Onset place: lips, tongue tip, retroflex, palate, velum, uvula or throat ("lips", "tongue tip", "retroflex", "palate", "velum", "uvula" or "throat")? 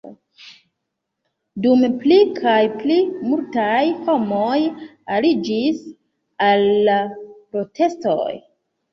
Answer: tongue tip